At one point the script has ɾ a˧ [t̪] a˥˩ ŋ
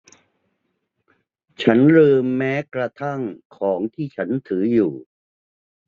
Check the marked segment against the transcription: incorrect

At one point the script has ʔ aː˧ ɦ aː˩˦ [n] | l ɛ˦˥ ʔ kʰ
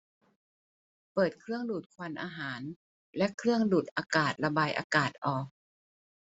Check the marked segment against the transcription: correct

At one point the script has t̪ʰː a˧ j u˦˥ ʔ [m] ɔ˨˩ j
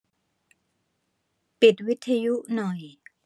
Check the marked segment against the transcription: incorrect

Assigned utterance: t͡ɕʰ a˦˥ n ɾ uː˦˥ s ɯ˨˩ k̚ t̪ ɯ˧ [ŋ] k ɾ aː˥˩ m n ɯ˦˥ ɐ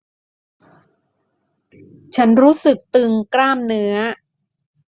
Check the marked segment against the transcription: correct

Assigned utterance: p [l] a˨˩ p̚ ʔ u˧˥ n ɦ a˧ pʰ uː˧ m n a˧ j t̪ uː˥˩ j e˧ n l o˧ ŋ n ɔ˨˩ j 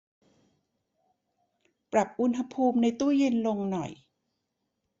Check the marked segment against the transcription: incorrect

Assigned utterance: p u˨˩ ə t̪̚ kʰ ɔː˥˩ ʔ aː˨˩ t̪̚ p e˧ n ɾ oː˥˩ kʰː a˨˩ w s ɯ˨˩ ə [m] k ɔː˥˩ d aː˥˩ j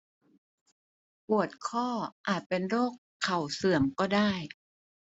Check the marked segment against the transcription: correct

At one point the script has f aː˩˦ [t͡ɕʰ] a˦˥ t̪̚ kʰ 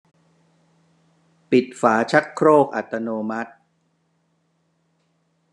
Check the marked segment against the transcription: correct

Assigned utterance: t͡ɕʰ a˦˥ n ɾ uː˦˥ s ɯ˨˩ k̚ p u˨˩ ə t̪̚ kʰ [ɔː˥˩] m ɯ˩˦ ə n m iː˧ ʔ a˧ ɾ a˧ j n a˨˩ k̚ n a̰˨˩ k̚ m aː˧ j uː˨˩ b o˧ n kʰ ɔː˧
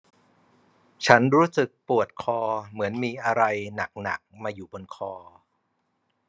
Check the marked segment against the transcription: incorrect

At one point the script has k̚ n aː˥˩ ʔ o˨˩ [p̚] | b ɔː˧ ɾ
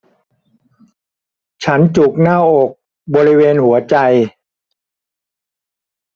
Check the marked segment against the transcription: incorrect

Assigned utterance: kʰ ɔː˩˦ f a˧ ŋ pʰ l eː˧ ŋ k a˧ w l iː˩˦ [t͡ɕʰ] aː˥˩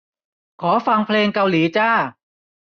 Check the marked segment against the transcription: incorrect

